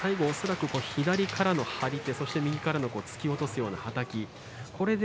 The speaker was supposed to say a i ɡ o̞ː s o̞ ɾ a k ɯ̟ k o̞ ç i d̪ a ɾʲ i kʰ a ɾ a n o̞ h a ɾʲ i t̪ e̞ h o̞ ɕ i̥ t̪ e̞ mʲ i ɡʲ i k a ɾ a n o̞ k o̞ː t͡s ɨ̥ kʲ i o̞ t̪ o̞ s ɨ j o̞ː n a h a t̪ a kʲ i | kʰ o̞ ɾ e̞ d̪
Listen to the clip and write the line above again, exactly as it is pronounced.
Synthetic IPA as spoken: a i ɡ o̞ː s o̞ ɾ a k ɯ̟ k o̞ ç i d̪ a ɾʲ i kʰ a ɾ a n o̞ h a ɾʲ i t̪ e̞ s o̞ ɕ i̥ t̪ e̞ mʲ i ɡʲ i k a ɾ a n o̞ k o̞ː t͡s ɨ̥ kʲ i o̞ t̪ o̞ s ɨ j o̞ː n a h a t̪ a kʲ i | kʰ o̞ ɾ e̞ d̪